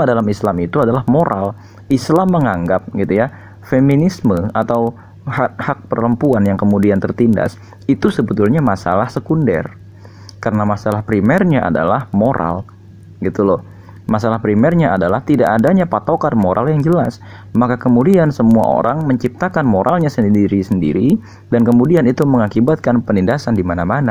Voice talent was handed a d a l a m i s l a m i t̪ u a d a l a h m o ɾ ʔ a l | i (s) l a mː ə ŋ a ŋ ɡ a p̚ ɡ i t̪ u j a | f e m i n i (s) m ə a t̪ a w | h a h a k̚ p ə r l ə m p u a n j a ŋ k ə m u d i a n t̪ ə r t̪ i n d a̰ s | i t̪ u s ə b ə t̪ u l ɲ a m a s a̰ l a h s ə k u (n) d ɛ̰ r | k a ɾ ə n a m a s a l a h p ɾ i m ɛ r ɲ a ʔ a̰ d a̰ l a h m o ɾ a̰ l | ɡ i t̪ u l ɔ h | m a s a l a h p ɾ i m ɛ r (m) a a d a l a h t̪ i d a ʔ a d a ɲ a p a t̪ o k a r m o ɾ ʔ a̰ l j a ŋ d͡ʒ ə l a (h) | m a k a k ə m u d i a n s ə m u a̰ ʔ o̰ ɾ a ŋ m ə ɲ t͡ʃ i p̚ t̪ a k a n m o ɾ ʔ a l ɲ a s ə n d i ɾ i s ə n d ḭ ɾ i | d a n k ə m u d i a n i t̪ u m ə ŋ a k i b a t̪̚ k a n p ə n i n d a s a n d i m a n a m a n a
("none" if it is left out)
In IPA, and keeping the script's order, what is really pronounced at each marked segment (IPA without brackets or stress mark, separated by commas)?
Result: s, s, n, ɲ, s